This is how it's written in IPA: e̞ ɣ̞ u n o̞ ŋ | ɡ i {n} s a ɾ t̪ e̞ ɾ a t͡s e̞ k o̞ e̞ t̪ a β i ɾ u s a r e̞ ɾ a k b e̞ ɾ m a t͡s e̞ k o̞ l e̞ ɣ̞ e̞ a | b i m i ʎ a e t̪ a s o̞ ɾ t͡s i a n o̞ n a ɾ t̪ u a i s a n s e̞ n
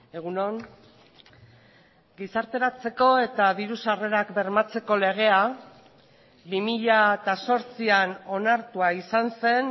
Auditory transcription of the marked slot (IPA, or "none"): none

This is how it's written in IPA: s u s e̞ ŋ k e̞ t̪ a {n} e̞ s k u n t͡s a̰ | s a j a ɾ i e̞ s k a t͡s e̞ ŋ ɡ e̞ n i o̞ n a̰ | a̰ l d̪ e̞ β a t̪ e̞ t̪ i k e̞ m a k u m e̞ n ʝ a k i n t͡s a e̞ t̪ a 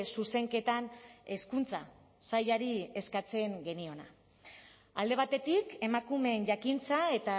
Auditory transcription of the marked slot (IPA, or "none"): n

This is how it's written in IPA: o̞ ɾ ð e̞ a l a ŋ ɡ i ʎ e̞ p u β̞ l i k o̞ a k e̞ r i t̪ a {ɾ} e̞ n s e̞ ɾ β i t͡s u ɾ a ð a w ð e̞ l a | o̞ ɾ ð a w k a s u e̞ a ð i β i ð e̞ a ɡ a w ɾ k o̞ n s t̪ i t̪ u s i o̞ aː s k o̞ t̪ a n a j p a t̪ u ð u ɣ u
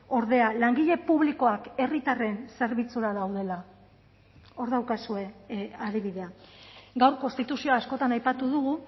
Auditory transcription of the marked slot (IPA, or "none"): r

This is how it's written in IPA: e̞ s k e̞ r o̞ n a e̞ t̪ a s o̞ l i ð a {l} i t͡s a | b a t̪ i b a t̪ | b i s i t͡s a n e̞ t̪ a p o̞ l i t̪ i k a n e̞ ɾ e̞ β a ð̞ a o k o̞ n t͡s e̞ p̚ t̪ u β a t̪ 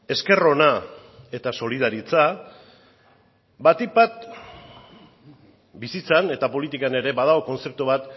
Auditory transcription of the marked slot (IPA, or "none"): ɾ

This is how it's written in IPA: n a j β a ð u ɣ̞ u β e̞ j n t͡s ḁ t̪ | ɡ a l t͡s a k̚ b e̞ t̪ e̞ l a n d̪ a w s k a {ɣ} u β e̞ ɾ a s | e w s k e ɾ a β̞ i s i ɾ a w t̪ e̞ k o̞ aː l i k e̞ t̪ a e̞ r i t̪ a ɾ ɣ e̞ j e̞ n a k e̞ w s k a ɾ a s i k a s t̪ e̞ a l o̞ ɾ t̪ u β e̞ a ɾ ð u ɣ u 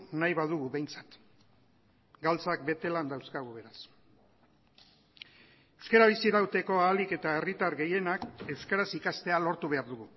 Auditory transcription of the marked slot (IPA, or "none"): ɣ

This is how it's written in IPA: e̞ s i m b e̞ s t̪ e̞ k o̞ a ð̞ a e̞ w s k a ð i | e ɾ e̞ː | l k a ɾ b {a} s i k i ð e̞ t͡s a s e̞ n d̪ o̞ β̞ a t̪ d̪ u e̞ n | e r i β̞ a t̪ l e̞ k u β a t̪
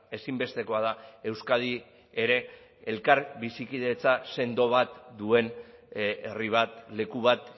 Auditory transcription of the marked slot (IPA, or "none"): i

